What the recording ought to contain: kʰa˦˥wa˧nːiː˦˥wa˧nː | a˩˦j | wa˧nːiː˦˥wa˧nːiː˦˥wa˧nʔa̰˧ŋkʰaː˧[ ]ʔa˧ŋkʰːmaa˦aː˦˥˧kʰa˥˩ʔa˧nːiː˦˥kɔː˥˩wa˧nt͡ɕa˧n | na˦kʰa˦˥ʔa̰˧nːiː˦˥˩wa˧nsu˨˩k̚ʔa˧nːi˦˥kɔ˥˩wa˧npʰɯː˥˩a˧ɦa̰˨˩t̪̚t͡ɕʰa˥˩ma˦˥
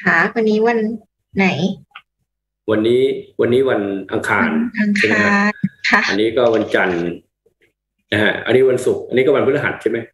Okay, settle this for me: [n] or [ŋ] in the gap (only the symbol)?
n